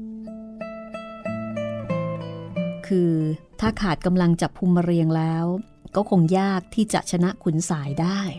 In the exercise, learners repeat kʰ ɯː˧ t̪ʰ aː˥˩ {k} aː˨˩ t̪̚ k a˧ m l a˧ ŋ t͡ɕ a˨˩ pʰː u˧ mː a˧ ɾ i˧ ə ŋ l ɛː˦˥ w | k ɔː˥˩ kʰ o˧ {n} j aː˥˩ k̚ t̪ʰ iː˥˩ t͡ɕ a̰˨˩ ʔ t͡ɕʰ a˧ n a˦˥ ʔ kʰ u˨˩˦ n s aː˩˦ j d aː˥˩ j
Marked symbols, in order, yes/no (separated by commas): no, no